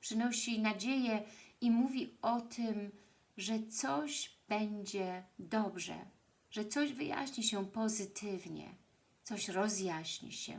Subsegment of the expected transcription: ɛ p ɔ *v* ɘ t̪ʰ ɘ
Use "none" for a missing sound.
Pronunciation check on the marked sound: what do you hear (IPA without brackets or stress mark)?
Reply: z